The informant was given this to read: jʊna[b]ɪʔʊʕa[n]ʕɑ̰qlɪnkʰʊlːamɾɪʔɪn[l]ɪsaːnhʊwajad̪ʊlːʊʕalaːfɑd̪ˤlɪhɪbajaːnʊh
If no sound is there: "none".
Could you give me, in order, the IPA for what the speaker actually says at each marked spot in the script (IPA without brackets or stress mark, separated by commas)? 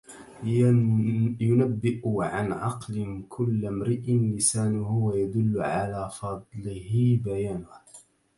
bː, n, l